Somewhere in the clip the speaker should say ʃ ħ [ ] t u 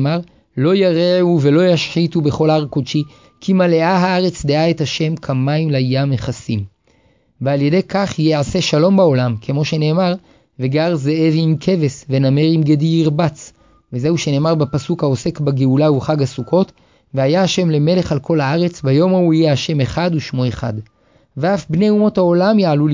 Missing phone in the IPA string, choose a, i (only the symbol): i